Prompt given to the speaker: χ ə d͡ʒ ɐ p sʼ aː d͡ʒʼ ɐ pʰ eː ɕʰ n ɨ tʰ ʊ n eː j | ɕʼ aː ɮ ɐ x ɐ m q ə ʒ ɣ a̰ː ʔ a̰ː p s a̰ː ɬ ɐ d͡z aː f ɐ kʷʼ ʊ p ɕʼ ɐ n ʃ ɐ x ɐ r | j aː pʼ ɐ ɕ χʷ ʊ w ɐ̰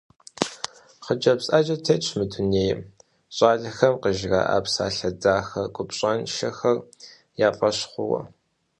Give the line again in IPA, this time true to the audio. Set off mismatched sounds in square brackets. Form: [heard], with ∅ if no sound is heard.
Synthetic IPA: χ ə d͡ʒ ɐ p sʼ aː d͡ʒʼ ɐ [tʰ] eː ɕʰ [m] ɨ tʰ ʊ n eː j | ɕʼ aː ɮ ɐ x ɐ m q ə ʒ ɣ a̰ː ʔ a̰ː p s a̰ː ɬ ɐ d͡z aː [x] ɐ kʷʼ ʊ p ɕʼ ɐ n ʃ ɐ x ɐ r | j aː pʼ ɐ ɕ χʷ ʊ w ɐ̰